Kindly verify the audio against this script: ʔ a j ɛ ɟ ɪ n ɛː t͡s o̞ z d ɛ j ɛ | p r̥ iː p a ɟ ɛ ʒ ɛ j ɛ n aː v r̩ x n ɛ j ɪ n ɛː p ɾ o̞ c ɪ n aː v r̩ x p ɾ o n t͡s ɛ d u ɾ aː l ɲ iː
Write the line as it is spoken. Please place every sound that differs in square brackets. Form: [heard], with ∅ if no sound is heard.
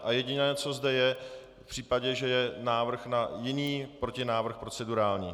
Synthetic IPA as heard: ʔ a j ɛ ɟ ɪ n ɛː t͡s o̞ z d ɛ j ɛ | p r̥ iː p a ɟ ɛ ʒ ɛ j ɛ n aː v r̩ x n [a] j ɪ n [iː] p ɾ o̞ c ɪ n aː v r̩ x p ɾ o [∅] t͡s ɛ d u ɾ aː l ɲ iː